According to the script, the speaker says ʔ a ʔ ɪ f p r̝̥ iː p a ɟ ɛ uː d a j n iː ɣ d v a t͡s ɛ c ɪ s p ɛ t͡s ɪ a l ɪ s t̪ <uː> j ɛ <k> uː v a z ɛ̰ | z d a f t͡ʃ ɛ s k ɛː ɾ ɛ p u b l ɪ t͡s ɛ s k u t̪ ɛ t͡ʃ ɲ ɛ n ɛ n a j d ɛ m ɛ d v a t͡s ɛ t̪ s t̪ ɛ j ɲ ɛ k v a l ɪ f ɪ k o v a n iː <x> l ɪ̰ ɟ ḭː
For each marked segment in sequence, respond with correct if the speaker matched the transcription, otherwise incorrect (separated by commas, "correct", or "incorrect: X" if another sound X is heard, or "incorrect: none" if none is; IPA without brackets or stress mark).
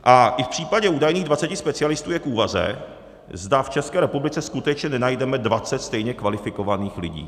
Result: correct, correct, correct